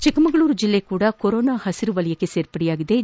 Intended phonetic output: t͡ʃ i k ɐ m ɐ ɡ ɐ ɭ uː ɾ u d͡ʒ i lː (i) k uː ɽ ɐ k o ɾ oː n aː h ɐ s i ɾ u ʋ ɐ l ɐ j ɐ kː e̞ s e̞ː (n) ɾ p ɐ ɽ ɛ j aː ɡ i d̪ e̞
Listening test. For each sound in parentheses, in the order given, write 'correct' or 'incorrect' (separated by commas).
incorrect, incorrect